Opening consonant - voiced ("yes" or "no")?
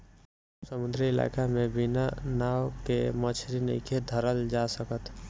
no